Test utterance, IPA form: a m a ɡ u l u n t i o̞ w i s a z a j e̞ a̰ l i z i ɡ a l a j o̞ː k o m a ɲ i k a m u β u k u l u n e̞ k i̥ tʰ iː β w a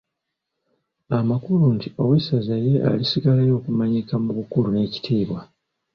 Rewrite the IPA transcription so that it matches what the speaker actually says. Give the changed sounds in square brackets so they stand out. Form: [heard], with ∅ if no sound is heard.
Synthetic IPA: a m a [k] u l u n t i o̞ w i s a z a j e̞ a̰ l i [s] i ɡ a l a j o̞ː k [u] m a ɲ i k a m u β u k u l u n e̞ [c] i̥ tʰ iː β w a